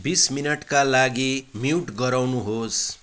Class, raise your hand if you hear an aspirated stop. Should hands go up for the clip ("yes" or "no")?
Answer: no